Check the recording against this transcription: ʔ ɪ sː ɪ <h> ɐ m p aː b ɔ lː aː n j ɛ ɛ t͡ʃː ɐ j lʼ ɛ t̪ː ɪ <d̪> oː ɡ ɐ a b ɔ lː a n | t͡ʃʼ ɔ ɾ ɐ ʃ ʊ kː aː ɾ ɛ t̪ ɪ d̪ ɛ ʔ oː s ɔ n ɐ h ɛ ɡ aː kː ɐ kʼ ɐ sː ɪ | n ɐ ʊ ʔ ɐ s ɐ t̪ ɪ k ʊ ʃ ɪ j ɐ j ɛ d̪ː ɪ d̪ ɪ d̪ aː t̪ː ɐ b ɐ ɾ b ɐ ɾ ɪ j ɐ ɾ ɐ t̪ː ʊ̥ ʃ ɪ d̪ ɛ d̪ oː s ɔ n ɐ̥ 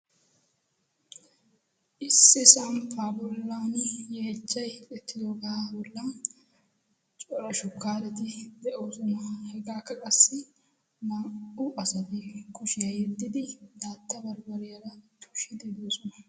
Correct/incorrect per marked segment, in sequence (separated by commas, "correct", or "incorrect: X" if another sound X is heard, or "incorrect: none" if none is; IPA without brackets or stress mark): incorrect: s, correct